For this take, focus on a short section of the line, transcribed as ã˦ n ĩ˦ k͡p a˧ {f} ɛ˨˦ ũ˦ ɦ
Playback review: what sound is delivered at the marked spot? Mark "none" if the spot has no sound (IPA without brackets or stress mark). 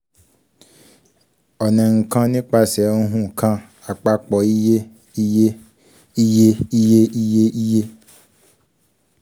s